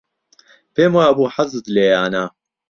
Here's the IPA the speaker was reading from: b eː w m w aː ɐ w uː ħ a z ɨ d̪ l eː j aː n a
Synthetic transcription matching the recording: p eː m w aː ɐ b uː ħ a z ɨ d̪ l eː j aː n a